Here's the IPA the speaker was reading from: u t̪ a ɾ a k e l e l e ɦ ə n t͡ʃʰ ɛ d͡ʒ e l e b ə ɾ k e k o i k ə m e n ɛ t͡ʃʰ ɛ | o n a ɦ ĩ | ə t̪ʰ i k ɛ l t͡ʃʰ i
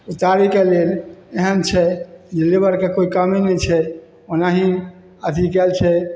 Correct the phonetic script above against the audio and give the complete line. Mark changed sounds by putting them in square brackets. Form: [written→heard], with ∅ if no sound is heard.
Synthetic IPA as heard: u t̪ a ɾ [a→i] k e l e l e ɦ ə n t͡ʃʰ ɛ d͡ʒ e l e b ə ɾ k e k o i k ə m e n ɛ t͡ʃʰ ɛ | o n a ɦ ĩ | ə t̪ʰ i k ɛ l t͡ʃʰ [i→ɛ]